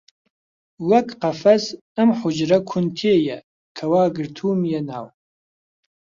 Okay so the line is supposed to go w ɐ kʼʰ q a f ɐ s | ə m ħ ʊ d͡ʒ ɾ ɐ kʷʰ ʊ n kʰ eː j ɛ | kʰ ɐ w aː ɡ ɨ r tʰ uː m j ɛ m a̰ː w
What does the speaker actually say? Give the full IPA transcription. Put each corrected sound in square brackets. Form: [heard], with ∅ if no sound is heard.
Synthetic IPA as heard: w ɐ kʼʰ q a f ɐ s | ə m ħ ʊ d͡ʒ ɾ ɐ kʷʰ ʊ n [tʰ] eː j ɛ | kʰ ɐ w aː ɡ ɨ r tʰ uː m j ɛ [n] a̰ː w